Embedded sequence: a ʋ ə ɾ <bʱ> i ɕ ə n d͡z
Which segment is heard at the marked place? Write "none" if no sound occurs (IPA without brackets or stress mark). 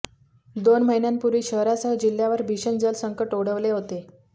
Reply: bʱ